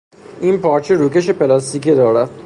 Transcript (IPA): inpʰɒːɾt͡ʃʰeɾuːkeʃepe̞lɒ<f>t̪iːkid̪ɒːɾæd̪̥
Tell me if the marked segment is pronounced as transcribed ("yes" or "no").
no